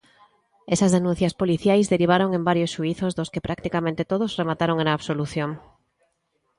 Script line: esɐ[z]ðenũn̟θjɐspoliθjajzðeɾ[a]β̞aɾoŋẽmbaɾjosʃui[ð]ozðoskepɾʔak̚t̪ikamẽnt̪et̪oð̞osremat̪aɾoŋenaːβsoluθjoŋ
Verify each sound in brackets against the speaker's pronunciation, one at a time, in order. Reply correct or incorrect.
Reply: correct, incorrect, incorrect

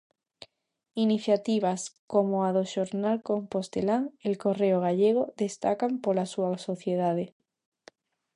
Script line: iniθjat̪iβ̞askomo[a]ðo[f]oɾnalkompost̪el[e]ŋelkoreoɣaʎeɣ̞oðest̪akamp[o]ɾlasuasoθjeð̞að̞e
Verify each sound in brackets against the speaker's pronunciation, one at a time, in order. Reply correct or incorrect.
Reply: correct, incorrect, incorrect, correct

